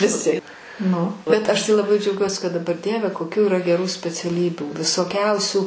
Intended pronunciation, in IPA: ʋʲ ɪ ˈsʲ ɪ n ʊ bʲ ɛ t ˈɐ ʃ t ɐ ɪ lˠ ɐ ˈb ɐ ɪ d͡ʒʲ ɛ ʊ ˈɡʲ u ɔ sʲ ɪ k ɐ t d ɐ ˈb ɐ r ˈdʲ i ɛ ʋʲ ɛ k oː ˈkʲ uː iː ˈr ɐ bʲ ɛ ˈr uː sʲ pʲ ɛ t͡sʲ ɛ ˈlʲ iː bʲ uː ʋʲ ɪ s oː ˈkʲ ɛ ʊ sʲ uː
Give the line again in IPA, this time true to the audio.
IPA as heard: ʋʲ ɪ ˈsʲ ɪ n ʊ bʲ ɛ t ˈɐ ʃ t ɐ ɪ lˠ ɐ ˈb ɐ ɪ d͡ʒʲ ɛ ʊ ˈɡʲ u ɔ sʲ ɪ k ɐ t d ɐ ˈb ɐ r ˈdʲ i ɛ ʋʲ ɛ k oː ˈkʲ uː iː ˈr ɐ ɡʲ ɛ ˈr uː sʲ pʲ ɛ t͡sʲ ɛ ˈlʲ iː bʲ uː ʋʲ ɪ s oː ˈkʲ ɛ ʊ sʲ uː